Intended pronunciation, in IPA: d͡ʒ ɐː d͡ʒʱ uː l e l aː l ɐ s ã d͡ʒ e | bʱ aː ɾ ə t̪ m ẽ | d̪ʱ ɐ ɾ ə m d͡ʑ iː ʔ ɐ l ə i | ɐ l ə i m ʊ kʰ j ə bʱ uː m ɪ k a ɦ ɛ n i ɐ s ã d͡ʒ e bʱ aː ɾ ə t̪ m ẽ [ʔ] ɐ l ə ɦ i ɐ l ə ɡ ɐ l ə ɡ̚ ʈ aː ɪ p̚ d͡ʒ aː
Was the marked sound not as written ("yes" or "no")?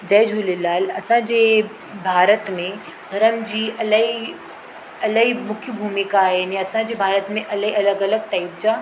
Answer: no